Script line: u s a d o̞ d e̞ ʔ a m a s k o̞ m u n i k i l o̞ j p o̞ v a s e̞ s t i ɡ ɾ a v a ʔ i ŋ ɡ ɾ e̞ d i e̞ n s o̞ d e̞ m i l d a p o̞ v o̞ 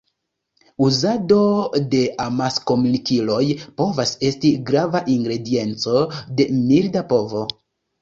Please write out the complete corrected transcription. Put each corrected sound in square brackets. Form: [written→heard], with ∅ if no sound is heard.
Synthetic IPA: u [s→z] a d o̞ d e̞ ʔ a m a s k o̞ m u n i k i l o̞ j p o̞ v a s e̞ s t i ɡ ɾ a v a ʔ i ŋ ɡ ɾ e̞ d i e̞ n [s→t͡s] o̞ d e̞ m i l d a p o̞ v o̞